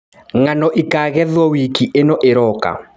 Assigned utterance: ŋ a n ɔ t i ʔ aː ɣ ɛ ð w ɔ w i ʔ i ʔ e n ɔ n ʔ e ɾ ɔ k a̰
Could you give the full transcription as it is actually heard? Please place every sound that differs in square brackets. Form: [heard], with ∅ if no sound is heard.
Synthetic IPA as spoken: ŋ a n ɔ [ʔ] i [k] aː ɣ ɛ ð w ɔ w i [k] i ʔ e n ɔ [∅] ʔ e ɾ ɔ k a̰